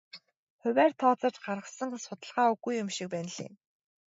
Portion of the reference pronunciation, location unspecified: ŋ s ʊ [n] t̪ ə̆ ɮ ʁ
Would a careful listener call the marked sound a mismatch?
yes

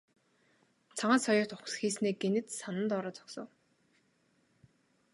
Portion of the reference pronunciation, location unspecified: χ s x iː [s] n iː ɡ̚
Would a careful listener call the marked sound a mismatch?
no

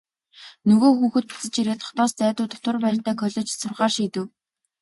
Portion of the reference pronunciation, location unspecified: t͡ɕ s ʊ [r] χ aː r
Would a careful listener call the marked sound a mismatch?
no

